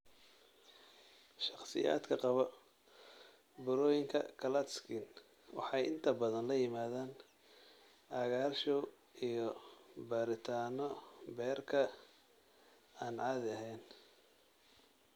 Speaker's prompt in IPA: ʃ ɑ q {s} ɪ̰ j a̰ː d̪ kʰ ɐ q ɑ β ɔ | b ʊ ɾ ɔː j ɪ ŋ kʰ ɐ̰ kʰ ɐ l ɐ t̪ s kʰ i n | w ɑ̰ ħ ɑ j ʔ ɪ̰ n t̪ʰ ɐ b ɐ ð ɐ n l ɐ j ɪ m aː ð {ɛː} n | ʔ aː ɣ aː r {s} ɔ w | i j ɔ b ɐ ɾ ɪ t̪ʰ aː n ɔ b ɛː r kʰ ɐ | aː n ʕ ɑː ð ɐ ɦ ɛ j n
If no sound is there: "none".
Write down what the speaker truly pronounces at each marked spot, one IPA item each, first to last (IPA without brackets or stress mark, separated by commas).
s, aː, ʃ